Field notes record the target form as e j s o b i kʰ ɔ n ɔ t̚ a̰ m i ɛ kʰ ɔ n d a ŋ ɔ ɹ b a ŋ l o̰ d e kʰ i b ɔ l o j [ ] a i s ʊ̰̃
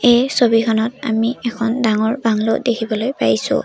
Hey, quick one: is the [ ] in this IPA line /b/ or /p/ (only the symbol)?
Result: p